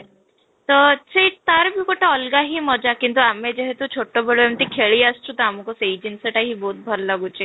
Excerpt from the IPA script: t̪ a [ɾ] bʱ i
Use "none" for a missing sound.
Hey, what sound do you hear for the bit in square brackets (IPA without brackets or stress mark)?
ɾ